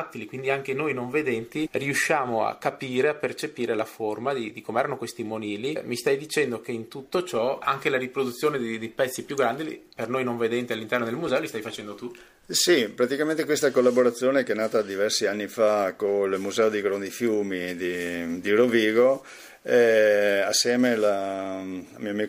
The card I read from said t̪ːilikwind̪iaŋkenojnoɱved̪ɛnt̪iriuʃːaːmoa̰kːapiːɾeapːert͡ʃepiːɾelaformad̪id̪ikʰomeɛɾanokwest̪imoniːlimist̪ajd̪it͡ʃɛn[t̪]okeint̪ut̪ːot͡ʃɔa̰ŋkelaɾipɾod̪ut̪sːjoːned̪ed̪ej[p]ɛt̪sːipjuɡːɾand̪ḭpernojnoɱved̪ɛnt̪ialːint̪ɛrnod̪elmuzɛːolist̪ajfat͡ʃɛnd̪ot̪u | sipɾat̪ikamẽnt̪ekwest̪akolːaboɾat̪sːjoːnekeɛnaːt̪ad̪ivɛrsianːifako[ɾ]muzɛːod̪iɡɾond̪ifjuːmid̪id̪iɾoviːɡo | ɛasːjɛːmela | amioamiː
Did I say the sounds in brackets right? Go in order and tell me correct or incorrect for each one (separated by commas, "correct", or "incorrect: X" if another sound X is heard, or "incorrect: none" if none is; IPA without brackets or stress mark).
incorrect: d̪, correct, incorrect: l